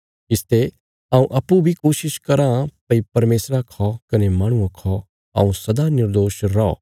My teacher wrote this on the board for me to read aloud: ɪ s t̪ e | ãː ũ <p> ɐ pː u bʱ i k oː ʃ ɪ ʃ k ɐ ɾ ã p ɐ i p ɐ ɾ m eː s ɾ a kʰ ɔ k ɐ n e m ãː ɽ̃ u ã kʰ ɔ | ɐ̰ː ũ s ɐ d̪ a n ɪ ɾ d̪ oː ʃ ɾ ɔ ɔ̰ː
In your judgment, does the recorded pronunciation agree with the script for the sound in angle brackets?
no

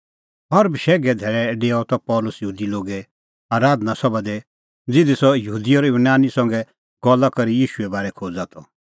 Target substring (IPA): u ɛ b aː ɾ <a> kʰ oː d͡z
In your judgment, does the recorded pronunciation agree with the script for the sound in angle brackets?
no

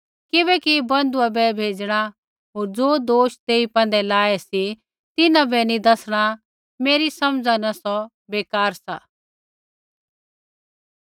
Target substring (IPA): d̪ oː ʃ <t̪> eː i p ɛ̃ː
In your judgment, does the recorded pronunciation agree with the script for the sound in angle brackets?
yes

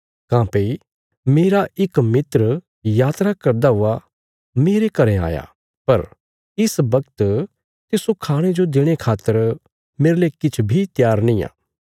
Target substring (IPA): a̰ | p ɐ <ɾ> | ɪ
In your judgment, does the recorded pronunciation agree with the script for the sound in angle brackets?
yes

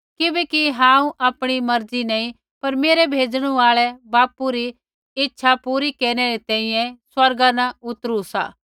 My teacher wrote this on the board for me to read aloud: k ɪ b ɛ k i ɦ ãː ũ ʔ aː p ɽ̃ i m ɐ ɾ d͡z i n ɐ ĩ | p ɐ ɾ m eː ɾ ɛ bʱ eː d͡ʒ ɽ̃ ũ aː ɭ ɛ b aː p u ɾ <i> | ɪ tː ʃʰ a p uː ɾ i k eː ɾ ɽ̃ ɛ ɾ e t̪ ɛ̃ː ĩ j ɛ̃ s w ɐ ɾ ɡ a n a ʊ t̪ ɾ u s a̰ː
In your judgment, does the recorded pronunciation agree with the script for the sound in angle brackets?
yes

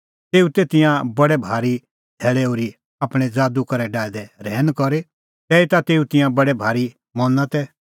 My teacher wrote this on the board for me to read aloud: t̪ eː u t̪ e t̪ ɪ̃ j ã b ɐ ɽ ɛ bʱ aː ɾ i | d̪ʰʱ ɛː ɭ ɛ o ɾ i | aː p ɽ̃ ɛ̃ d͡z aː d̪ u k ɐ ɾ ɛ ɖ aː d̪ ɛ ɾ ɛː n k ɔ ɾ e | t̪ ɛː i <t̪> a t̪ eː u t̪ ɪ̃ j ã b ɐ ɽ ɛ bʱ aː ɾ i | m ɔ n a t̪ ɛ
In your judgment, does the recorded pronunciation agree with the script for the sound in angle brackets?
yes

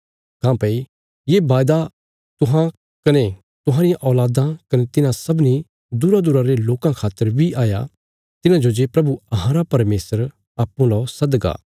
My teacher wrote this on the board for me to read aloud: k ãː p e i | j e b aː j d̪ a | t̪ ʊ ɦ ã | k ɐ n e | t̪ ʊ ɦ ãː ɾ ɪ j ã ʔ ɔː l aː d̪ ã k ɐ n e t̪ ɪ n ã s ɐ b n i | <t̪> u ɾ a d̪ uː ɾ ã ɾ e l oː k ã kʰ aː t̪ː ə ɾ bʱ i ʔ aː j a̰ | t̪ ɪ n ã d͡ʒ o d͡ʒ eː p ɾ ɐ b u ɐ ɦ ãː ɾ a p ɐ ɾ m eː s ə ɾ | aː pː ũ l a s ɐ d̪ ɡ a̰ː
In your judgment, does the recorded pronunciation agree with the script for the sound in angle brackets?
no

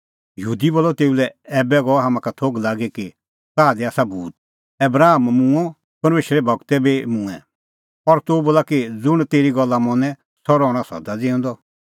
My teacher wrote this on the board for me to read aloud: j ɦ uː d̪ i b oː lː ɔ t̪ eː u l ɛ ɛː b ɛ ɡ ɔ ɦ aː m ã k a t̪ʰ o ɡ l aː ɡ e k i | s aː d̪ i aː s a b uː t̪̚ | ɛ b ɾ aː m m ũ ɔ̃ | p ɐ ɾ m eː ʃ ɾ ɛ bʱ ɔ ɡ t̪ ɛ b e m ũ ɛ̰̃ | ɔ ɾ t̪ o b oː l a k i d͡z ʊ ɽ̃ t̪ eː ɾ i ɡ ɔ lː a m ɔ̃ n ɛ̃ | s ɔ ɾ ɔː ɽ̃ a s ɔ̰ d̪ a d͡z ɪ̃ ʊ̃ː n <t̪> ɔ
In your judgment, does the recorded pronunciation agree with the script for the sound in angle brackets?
no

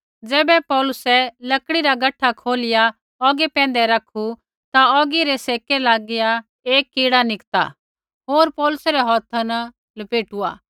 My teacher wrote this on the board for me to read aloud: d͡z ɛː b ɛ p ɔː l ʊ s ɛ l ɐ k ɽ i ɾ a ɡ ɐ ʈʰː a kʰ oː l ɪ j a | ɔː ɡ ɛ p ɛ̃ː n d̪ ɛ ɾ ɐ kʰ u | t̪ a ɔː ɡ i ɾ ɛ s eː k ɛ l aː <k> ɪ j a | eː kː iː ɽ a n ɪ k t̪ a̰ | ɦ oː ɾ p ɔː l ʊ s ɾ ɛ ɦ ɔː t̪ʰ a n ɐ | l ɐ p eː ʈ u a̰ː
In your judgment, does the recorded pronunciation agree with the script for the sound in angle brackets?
no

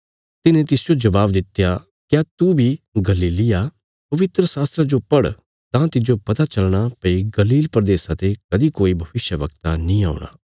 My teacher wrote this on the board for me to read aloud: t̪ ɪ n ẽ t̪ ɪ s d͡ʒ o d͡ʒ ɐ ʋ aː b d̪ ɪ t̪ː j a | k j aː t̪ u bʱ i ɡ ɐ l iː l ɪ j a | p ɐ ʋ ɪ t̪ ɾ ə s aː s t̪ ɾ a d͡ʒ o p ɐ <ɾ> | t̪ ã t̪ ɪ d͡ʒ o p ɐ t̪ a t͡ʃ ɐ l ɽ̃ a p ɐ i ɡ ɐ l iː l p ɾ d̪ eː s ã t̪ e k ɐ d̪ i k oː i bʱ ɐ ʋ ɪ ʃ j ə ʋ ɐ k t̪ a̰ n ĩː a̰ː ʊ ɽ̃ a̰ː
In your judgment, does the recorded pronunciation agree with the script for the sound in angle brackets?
no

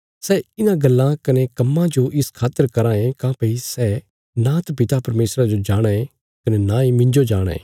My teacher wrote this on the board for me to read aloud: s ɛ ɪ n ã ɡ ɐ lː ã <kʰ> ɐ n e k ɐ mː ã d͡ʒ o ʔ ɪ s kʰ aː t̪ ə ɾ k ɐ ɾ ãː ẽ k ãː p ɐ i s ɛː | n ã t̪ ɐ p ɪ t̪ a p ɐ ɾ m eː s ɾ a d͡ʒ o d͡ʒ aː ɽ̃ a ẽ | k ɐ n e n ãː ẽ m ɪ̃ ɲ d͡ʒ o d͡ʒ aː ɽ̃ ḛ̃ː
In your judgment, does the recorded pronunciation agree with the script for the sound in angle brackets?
no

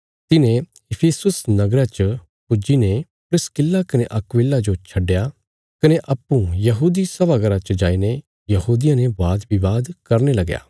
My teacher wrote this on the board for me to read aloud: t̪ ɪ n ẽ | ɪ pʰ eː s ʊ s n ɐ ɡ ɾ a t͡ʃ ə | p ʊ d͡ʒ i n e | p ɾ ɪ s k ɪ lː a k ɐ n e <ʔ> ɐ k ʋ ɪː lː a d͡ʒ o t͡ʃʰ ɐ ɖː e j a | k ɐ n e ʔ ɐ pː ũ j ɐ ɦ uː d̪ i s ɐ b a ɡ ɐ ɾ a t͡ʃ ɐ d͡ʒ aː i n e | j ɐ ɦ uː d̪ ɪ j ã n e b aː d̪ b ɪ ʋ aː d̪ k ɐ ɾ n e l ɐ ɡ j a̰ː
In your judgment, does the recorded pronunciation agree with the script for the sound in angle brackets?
yes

